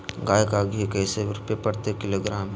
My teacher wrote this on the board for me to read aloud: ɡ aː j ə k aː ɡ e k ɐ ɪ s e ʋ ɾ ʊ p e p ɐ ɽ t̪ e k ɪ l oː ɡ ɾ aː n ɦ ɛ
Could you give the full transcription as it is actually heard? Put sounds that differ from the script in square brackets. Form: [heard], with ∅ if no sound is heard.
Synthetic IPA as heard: ɡ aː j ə k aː ɡ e k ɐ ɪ s e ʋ ɾ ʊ p e p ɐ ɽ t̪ e k ɪ l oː ɡ ɾ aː [m] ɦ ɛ